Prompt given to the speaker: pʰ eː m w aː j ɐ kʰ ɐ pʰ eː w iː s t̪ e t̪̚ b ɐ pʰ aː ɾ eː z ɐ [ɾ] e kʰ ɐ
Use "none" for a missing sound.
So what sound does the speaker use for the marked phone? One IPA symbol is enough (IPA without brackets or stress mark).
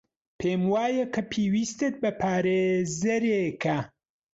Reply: ɾ